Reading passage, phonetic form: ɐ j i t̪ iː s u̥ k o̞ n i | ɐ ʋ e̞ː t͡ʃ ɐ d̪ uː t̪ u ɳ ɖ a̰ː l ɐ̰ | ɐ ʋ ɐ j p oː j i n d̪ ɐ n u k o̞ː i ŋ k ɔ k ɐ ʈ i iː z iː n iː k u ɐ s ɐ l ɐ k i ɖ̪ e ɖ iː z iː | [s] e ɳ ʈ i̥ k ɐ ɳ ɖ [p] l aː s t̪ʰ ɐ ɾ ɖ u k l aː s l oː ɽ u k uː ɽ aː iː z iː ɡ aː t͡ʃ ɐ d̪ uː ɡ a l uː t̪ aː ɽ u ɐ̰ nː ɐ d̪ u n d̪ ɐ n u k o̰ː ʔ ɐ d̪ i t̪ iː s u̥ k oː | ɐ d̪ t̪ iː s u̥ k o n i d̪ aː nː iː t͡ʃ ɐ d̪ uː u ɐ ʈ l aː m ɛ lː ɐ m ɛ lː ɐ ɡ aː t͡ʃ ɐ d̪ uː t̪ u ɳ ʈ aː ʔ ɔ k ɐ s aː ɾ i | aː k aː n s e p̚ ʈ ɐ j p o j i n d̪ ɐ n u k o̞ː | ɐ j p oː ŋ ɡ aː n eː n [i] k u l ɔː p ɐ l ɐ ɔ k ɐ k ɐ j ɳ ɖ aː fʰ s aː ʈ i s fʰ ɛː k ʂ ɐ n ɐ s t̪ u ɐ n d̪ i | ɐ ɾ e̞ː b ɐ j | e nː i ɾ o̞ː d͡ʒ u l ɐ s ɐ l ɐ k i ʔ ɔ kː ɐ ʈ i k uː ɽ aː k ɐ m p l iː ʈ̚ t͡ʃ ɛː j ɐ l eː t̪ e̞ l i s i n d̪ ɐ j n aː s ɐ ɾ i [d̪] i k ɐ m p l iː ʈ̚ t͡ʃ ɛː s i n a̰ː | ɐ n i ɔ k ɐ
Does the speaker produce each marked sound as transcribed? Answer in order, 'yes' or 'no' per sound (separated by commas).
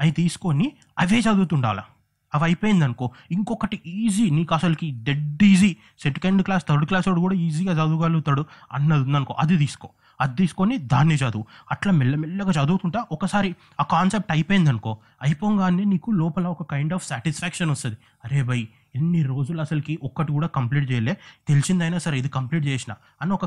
yes, no, no, yes